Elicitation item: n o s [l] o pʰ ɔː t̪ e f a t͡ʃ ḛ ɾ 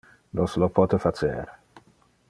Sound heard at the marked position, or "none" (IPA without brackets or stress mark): l